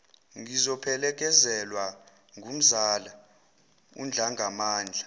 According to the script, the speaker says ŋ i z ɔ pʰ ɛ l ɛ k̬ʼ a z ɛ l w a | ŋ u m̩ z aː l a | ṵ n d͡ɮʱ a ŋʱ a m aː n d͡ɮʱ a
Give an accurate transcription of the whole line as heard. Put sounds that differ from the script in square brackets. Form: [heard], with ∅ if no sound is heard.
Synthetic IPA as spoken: ŋ i z ɔ pʰ ɛ l ɛ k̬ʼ [ɛ] z ɛ l w a | ŋ u m̩ z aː l a | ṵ n d͡ɮʱ a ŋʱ a m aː n d͡ɮʱ a